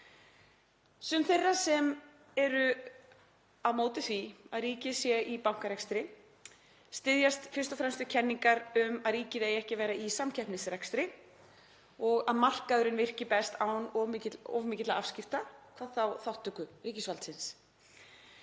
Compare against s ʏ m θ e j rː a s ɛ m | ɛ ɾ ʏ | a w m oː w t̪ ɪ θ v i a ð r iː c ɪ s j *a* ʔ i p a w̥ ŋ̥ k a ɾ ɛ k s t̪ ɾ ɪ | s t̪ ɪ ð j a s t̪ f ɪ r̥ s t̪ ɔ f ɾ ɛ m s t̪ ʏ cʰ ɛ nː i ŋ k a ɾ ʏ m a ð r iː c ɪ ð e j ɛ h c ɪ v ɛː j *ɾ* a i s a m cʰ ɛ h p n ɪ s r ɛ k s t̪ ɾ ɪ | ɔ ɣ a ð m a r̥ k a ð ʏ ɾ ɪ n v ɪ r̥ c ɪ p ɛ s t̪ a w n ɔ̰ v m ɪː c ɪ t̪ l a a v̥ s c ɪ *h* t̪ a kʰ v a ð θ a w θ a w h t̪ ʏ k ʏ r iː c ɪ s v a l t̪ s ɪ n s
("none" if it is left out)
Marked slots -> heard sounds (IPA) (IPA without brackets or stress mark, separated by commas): ɛ, ɾ, f